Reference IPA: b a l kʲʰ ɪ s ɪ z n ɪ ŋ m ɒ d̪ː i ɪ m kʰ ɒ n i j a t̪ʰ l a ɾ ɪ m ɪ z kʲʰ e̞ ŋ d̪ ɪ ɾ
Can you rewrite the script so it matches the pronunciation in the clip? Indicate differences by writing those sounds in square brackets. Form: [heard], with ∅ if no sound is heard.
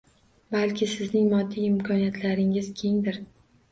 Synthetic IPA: b a l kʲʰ ɪ s ɪ z n ɪ ŋ m ɒ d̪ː i ɪ m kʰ ɒ n i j a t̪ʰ l a ɾ ɪ [ŋ] ɪ z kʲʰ e̞ ŋ d̪ ɪ ɾ